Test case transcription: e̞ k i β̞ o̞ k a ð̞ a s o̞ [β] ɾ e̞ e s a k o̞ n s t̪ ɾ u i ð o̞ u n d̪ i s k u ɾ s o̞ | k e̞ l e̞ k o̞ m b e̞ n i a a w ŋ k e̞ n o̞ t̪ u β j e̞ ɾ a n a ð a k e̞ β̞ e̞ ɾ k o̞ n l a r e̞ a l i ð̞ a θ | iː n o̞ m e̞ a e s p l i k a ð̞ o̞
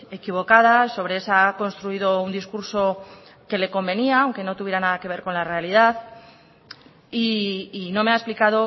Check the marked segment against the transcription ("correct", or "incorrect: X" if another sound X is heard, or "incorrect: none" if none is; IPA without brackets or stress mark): correct